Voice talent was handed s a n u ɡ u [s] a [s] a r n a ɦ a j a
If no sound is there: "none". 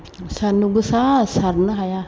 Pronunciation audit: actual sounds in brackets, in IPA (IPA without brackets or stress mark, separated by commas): s, s